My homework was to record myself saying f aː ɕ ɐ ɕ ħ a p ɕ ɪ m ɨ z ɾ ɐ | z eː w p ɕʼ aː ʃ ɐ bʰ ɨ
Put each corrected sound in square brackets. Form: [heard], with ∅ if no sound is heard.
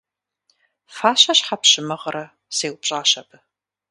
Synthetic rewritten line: f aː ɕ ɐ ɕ ħ a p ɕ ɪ m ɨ [ʁ] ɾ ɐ | [s] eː w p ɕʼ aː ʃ ɐ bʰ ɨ